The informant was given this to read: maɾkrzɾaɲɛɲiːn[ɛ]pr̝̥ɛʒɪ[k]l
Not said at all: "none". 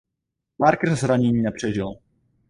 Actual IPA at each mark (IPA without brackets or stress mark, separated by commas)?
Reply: ɛ, none